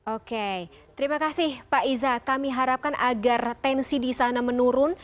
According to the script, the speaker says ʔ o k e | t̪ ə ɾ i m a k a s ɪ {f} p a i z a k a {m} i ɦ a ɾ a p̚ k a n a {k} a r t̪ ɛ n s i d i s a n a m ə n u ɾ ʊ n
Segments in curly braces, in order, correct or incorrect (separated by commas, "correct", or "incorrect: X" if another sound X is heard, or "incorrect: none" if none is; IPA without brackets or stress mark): incorrect: h, correct, incorrect: ɡ